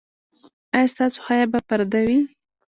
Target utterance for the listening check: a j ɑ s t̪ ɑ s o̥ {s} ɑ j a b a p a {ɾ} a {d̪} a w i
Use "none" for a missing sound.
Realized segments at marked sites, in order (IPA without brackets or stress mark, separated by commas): x, ɾ, d̪